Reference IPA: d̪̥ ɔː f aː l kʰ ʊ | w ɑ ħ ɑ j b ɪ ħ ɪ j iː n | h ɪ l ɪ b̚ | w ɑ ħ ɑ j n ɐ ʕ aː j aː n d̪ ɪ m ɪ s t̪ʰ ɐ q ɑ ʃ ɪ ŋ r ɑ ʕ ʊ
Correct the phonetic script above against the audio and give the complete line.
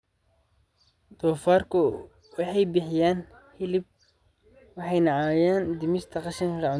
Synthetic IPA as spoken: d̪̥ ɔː f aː r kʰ ʊ | w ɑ ħ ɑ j b ɪ ħ ɪ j aː n | h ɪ l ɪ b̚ | w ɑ ħ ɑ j n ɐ ʕ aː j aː n d̪ ɪ m ɪ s t̪ʰ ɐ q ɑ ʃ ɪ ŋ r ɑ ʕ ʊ